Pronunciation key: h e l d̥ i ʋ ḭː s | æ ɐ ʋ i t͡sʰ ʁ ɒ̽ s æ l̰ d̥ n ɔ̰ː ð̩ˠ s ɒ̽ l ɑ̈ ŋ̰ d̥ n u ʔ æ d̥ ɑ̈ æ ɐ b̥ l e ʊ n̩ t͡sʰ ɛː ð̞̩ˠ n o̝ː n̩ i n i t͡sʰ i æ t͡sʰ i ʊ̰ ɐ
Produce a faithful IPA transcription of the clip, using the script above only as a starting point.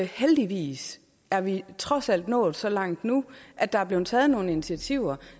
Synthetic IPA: h e l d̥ i ʋ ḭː s | æ ɐ ʋ i t͡sʰ ʁ ɒ̽ s æ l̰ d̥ n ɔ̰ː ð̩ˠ s ɒ̽ l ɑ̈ ŋ̰ d̥ n u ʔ æ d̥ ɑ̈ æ ɐ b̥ l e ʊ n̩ t͡sʰ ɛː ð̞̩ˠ n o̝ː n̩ i n i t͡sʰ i æ t͡sʰ i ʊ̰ ɐ